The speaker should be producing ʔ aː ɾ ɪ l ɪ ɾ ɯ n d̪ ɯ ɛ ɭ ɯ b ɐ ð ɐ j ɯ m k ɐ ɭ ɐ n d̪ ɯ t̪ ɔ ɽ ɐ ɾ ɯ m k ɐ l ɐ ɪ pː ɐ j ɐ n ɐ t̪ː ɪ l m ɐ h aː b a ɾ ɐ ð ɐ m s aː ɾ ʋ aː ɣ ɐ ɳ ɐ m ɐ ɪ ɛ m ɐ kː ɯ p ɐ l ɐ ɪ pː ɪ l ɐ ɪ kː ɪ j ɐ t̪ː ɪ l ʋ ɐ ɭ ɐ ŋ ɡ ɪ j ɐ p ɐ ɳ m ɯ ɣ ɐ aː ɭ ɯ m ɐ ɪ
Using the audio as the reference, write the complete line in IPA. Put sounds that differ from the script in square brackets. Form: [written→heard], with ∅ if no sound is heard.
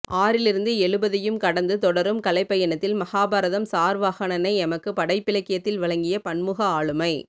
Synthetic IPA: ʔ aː ɾ ɪ l ɪ ɾ ɯ n d̪ ɯ ɛ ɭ ɯ b ɐ ð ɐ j ɯ m k ɐ [ɭ→ɽ] ɐ n d̪ ɯ t̪ ɔ ɽ ɐ ɾ ɯ m k ɐ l ɐ ɪ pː ɐ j ɐ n ɐ t̪ː ɪ l m ɐ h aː b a ɾ ɐ ð ɐ m s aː ɾ ʋ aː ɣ ɐ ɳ ɐ [m→n] ɐ ɪ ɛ m ɐ kː ɯ p ɐ [l→ɽ] ɐ ɪ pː ɪ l ɐ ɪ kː ɪ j ɐ t̪ː ɪ l ʋ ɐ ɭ ɐ ŋ ɡ ɪ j ɐ p ɐ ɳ m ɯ ɣ ɐ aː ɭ ɯ m ɐ ɪ